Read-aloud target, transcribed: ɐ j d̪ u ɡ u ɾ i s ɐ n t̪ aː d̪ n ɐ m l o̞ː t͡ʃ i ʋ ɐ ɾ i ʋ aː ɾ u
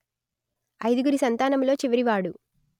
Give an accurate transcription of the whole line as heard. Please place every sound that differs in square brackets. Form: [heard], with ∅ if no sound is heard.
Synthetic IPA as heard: ɐ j d̪ u ɡ u ɾ i s ɐ n t̪ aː [∅] n ɐ m l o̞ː t͡ʃ i ʋ ɐ ɾ i ʋ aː [ɽ] u

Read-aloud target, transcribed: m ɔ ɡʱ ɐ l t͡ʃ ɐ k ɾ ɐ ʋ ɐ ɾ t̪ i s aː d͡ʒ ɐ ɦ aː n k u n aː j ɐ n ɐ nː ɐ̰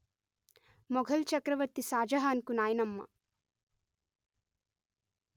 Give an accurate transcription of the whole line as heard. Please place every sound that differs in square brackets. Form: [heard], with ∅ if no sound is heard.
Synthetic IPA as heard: m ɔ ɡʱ ɐ l t͡ʃ ɐ k ɾ ɐ ʋ ɐ ɾ t̪ i s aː d͡ʒ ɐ ɦ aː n k u n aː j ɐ n ɐ [mː] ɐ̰

